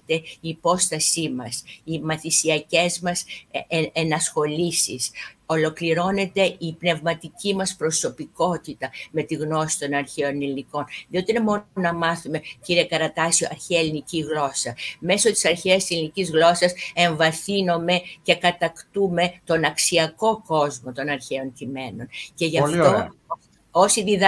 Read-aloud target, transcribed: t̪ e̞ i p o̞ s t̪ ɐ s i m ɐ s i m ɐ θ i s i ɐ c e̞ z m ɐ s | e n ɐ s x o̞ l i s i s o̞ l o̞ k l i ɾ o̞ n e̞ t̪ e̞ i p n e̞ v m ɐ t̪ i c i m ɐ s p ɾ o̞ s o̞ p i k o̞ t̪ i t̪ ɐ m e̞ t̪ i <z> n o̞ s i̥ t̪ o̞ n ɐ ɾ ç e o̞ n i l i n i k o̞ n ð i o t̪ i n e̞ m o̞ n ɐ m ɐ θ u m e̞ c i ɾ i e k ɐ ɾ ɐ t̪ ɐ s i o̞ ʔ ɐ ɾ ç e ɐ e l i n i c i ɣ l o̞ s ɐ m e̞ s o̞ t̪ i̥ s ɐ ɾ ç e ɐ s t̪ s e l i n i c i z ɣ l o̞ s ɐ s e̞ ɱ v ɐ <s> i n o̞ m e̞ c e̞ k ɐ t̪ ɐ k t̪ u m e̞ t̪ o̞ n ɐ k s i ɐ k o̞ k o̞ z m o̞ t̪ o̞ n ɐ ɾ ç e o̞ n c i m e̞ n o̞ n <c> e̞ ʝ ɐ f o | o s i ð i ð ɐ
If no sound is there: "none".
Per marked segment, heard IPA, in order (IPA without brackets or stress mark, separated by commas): ɣ, θ, c